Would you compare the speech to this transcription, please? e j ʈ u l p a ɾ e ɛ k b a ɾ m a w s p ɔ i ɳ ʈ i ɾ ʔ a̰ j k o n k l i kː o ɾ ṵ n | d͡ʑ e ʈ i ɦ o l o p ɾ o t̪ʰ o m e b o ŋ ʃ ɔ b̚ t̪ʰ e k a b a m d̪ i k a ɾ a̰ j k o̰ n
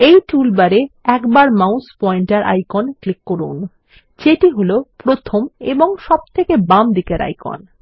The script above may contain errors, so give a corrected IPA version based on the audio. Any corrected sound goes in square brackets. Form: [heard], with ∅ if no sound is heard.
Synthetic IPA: e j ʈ u l [b] a ɾ e ɛ k b a ɾ m a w s p ɔ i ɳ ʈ [a] ɾ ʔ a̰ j k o n k l i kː o ɾ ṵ n | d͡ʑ e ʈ i ɦ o l o p ɾ o t̪ʰ o m e b o ŋ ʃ ɔ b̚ t̪ʰ e k [e] b a m d̪ i k [e] ɾ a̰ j k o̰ n